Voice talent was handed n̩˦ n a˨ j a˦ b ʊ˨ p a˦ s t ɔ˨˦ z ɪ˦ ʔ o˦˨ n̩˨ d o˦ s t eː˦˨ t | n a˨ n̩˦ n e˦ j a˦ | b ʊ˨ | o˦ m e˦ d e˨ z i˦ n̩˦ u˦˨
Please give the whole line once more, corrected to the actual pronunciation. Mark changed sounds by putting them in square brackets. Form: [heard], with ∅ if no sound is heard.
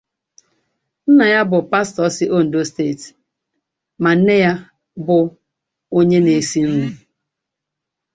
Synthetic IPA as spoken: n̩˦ n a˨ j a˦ b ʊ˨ p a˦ s t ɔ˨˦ [s] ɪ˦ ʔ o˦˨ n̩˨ d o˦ s t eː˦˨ t | [m] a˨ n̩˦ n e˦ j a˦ | b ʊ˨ | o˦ [ɲ] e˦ [n] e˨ [s] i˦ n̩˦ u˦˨